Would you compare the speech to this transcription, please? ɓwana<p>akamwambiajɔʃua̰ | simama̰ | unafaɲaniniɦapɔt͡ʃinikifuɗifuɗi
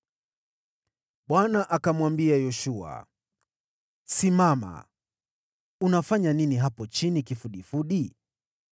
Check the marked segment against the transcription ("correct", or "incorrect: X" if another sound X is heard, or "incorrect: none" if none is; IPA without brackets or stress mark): incorrect: ʔ